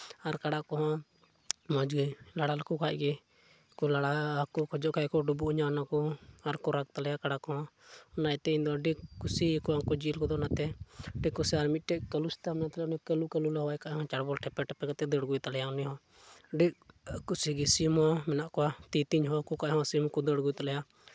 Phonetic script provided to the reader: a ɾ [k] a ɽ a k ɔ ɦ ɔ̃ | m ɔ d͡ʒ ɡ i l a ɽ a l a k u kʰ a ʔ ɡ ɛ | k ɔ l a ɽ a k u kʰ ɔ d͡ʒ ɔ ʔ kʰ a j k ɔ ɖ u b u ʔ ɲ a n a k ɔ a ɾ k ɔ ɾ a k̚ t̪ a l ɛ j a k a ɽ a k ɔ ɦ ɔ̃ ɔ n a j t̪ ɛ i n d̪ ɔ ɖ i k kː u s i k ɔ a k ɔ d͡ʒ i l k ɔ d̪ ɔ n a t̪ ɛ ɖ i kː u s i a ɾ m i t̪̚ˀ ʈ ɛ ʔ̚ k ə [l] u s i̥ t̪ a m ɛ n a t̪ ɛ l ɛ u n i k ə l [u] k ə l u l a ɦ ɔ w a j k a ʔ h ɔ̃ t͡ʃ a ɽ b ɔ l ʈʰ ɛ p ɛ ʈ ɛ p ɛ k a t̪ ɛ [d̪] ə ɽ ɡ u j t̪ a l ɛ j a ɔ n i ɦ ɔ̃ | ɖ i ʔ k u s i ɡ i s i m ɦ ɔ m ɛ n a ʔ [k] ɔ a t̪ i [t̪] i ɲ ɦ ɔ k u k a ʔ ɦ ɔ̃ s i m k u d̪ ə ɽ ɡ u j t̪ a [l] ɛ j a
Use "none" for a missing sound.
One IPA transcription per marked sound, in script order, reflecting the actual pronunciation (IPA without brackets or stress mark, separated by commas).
k, l, u, d̪, k, t̪, l